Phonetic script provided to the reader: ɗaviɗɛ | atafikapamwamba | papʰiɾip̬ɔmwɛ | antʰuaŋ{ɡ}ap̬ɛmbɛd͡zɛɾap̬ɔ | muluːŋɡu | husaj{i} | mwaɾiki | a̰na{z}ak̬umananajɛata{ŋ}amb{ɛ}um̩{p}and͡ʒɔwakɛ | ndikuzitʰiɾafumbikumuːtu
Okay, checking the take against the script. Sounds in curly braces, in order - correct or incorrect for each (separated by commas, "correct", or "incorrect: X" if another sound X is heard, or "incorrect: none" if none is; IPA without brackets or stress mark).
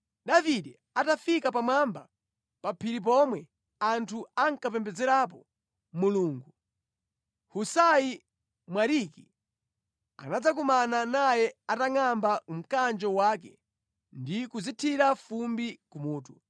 incorrect: k, correct, incorrect: d͡z, correct, incorrect: a, incorrect: k